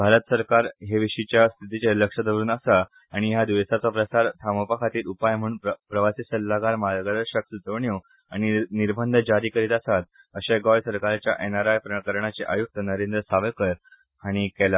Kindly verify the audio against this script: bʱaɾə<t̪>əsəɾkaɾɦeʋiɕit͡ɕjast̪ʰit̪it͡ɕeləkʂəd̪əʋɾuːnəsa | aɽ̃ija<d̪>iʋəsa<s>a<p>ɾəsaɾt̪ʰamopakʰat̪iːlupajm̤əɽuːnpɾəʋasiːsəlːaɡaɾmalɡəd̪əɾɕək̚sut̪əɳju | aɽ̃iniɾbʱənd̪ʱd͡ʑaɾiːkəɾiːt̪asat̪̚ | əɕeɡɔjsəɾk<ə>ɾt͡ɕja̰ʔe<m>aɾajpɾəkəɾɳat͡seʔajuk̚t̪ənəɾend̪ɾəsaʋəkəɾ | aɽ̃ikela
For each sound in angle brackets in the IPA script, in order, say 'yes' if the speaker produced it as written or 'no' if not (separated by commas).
yes, yes, no, yes, no, no